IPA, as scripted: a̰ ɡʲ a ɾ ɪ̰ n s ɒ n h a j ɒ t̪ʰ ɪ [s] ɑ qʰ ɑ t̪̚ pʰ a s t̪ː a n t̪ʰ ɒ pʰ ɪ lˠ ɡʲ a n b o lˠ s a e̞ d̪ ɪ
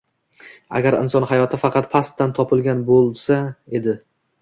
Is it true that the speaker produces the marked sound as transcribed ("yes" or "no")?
no